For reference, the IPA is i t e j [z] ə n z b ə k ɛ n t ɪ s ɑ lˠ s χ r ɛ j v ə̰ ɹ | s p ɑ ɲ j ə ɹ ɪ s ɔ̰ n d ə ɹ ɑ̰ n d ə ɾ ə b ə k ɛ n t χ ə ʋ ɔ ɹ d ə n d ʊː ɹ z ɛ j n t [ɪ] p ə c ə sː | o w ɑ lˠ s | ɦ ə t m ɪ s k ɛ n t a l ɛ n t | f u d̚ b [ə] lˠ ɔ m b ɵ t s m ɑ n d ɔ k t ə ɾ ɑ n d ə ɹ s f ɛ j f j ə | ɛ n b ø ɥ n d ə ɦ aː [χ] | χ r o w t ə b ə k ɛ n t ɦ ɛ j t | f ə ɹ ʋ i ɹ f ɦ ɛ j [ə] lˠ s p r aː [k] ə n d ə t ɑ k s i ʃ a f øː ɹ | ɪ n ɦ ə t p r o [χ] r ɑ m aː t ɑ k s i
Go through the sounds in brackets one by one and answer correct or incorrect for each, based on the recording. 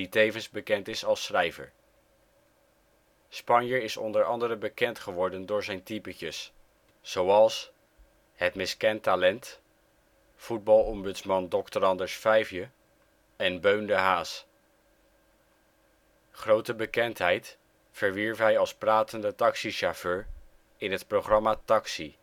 incorrect: v, incorrect: i, incorrect: ɑ, incorrect: s, incorrect: ɑ, incorrect: t, correct

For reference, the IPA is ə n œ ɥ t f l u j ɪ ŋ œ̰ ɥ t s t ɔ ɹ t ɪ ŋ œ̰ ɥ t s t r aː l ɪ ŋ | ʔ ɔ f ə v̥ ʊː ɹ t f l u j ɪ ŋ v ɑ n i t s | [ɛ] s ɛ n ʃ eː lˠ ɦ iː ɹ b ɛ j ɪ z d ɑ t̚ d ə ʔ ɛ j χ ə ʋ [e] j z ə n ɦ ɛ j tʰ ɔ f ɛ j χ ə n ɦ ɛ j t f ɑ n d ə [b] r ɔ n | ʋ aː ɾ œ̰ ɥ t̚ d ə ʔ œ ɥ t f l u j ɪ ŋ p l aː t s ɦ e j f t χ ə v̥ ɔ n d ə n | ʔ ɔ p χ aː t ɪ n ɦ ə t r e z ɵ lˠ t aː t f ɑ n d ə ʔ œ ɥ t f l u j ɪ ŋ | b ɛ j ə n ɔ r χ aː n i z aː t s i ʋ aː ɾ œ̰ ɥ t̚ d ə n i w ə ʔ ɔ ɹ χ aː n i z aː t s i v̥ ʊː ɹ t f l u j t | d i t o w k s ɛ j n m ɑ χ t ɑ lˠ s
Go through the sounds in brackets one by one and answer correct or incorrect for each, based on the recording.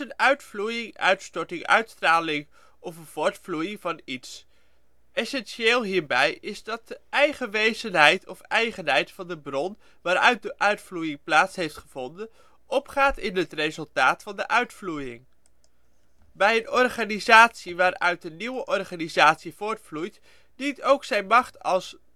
correct, correct, correct

